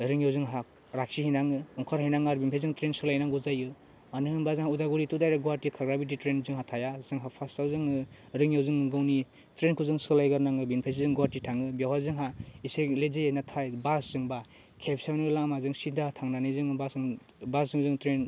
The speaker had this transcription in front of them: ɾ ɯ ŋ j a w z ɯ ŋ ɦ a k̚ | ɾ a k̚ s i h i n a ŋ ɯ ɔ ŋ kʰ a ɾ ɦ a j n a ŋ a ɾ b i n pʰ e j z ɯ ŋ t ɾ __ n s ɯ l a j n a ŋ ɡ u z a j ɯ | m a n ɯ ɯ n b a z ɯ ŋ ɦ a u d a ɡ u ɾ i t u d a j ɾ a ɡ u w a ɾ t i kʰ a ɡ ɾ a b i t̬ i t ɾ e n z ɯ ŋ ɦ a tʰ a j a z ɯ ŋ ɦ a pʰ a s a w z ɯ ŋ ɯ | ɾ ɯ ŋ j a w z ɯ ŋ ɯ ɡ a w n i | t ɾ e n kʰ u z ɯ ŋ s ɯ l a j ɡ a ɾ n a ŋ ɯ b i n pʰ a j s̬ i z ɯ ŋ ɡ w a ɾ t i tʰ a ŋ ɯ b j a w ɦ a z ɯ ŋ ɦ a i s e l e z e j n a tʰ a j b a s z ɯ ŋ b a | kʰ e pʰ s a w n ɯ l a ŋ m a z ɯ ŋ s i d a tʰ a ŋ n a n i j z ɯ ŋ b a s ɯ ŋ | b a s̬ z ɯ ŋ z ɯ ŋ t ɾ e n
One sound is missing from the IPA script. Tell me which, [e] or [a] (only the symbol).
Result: e